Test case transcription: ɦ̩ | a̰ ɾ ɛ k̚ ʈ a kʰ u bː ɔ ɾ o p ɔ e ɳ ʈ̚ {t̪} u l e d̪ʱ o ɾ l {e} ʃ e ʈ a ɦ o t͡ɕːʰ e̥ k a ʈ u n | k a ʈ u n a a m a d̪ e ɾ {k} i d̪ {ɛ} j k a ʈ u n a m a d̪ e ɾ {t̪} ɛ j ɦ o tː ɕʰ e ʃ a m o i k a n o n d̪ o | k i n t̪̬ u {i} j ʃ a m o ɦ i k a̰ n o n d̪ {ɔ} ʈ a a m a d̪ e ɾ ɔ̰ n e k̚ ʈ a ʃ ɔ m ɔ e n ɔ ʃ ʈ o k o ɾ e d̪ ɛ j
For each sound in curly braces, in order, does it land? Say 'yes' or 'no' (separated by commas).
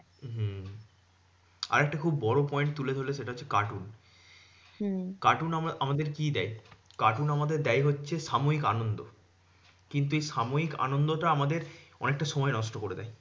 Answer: yes, yes, yes, yes, no, no, no